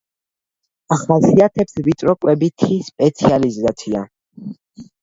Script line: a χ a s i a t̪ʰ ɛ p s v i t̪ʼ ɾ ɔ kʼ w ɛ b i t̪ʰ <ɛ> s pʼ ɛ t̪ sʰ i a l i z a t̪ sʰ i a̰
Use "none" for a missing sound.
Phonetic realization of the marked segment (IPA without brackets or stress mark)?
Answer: i